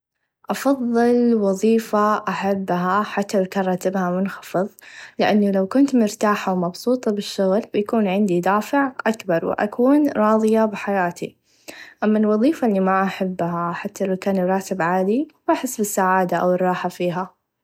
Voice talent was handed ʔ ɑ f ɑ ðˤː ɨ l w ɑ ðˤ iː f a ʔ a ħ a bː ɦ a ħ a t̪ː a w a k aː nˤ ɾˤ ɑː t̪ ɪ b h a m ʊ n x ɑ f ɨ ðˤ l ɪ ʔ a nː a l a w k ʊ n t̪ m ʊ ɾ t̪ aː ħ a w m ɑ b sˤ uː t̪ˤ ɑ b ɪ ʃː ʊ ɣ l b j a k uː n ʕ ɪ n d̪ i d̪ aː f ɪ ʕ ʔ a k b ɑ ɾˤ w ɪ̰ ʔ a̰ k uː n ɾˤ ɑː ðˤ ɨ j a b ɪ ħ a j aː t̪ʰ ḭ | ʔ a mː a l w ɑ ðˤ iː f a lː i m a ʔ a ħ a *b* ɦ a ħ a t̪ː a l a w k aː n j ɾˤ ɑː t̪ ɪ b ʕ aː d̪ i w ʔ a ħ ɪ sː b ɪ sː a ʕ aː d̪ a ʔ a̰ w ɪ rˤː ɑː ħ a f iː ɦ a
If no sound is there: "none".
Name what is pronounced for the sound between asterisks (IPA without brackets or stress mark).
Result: bː